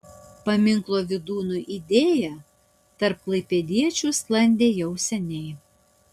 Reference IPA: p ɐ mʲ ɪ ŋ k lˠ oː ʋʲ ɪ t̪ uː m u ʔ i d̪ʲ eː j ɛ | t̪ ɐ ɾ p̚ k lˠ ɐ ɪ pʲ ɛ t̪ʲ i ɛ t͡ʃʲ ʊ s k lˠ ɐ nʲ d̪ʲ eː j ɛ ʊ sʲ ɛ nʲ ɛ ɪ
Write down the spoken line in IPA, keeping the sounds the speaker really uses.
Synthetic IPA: p ɐ mʲ ɪ ŋ k lˠ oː ʋʲ ɪ d̪ uː n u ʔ i d̪ʲ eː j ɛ | t̪ ɐ ɾ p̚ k lˠ ɐ ɪ pʲ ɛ d̪ʲ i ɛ t͡ʃʲ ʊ s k lˠ ɐ nʲ d̪ʲ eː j ɛ ʊ sʲ ɛ nʲ ɛ ɪ

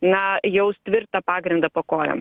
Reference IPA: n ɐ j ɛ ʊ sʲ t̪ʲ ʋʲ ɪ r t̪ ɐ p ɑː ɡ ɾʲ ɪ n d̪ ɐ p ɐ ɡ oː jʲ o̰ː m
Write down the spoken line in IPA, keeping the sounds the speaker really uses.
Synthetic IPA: n ɐ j ɛ ʊ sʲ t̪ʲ ʋʲ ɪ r t̪ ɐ p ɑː ɡ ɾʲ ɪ n d̪ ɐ p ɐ k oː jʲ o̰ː m

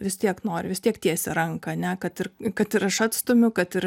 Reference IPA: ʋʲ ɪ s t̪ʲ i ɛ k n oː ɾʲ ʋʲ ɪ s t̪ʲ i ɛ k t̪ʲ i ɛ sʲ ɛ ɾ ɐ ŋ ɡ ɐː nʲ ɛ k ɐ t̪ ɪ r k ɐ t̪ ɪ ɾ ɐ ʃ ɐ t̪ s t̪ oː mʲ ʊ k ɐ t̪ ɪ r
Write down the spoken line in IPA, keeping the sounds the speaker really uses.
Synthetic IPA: ʋʲ ɪ s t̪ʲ i ɛ k n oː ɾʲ ʋʲ ɪ s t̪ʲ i ɛ k t̪ʲ i ɛ sʲ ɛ ɾ ɐ ŋ k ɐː nʲ ɛ k ɐ t̪ ɪ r k ɐ t̪ ɪ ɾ ɐ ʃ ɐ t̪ s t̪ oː mʲ ʊ k ɐ t̪ ɪ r

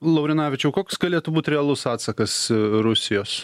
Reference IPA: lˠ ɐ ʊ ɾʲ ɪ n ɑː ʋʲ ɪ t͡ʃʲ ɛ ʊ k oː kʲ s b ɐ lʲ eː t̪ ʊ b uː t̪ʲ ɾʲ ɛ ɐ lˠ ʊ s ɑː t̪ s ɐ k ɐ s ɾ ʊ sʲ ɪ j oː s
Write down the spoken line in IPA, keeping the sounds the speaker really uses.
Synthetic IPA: lˠ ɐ ʊ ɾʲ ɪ n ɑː ʋʲ ɪ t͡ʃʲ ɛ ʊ k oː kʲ s ɡ ɐ lʲ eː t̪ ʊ b uː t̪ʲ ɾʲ ɛ ɐ lˠ ʊ s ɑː t̪ s ɐ k ɐ s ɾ ʊ sʲ ɪ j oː s

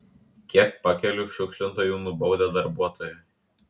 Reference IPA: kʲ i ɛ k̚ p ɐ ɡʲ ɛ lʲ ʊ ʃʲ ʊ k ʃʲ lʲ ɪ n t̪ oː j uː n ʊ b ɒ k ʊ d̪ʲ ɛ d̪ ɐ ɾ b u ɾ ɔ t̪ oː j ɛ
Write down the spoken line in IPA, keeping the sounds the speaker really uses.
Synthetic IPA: kʲ i ɛ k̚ p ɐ kʲ ɛ lʲ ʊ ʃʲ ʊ k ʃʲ lʲ ɪ n t̪ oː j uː n ʊ b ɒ ʊ d̪ʲ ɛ d̪ ɐ ɾ b u ɔ t̪ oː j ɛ

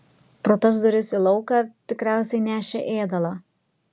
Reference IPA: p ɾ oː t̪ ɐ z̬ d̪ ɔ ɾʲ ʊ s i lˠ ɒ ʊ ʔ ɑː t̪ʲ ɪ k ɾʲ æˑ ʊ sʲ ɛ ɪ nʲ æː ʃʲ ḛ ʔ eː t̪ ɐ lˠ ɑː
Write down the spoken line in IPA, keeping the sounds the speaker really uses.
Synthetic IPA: p ɾ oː t̪ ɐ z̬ d̪ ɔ ɾʲ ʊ s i lˠ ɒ ʊ k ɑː t̪ʲ ɪ k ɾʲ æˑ ʊ sʲ ɛ ɪ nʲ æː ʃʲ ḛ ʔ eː d̪ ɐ lˠ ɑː

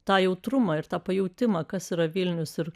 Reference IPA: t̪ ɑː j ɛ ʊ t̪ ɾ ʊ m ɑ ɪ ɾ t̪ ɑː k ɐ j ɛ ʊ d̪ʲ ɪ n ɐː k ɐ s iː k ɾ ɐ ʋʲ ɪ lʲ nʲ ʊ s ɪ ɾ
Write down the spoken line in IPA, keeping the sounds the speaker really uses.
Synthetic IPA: t̪ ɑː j ɛ ʊ t̪ ɾ ʊ m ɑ ɪ ɾ t̪ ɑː p ɐ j ɛ ʊ t̪ʲ ɪ m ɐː k ɐ s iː ɾ ɐ ʋʲ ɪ lʲ nʲ ʊ s ɪ ɾ

